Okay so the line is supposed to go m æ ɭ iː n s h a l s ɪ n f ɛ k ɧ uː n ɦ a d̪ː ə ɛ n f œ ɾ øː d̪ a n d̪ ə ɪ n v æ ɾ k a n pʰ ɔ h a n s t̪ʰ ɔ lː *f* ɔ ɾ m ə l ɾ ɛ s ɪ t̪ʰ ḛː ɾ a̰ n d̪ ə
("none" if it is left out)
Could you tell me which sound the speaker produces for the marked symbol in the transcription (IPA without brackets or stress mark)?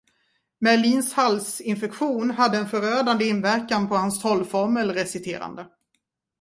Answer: f